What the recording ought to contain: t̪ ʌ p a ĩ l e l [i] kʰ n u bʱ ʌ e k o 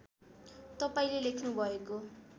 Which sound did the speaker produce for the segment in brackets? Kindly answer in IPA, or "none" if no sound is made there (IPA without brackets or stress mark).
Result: e